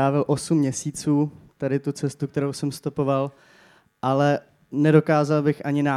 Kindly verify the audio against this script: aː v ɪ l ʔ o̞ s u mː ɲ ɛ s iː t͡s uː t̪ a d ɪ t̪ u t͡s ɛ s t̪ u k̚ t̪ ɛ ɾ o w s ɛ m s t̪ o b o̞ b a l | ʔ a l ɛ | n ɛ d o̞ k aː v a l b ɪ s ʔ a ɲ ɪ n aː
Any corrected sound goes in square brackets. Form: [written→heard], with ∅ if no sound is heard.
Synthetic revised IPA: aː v ɪ l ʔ o̞ s u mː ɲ ɛ s iː t͡s uː t̪ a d ɪ t̪ u t͡s ɛ s t̪ u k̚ t̪ ɛ ɾ o w s ɛ m s t̪ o [b→p] o̞ [b→v] a l | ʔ a l ɛ | n ɛ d o̞ k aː [v→z] a l b ɪ [s→x] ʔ a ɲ ɪ n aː